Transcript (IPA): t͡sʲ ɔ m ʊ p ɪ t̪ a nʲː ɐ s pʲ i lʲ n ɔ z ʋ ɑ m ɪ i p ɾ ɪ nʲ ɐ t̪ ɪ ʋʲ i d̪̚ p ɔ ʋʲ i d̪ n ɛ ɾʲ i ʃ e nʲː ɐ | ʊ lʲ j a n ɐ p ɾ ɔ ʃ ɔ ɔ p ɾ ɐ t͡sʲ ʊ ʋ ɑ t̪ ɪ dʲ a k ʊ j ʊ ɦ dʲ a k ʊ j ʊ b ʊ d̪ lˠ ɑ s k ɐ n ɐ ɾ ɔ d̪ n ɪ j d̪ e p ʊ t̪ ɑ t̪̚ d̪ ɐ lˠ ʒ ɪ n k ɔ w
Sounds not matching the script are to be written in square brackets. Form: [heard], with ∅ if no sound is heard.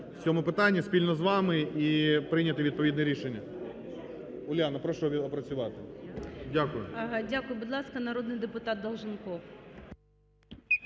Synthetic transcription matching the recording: t͡sʲ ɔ m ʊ p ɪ t̪ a nʲː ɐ s pʲ i lʲ n ɔ z ʋ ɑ m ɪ i p ɾ ɪ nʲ ɐ t̪ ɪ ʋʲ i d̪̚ p ɔ ʋʲ i d̪ n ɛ ɾʲ i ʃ e nʲː ɐ | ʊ lʲ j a n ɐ p ɾ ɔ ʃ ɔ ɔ p ɾ ɐ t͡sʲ ʊ ʋ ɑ t̪ ɪ dʲ a k ʊ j ʊ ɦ dʲ a k ʊ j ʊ b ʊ d̪ lˠ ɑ s k ɐ n ɐ ɾ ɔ d̪ n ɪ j d̪ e p ʊ t̪ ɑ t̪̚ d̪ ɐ lˠ ʒ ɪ n k ɔ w